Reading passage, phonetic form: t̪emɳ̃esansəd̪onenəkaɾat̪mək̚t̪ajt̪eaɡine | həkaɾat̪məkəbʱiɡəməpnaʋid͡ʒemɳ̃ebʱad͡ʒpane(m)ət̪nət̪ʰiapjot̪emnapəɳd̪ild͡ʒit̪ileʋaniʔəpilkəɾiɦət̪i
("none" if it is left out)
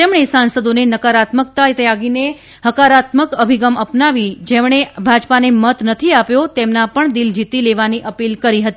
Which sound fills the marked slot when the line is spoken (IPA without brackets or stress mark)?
m